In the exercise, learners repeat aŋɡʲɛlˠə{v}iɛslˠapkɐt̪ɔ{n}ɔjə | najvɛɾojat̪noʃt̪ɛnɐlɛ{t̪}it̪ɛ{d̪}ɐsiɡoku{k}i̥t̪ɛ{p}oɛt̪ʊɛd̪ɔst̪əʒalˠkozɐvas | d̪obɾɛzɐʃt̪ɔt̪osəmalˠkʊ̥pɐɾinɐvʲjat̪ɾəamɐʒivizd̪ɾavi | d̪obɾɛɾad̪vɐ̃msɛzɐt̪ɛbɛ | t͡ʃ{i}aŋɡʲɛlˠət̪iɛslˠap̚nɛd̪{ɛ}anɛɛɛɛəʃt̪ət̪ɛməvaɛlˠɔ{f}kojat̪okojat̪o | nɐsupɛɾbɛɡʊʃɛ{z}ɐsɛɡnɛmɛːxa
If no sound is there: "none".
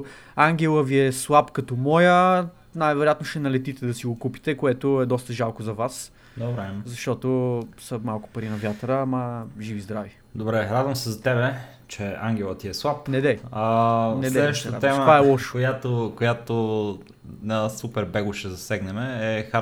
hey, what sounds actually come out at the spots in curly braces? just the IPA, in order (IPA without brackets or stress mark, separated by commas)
v, m, t̪, d̪, p, k, ɛ, ɛ, ʃ, z